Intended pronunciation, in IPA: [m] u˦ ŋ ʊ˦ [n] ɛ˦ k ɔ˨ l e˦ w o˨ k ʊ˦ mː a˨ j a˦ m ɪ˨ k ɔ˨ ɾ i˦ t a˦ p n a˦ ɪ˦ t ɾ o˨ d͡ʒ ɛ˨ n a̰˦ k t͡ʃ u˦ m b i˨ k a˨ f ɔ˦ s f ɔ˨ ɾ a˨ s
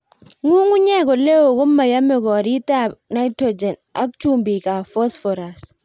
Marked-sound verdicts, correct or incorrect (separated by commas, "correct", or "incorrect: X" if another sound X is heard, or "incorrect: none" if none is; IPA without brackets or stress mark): incorrect: ŋ, incorrect: ɲ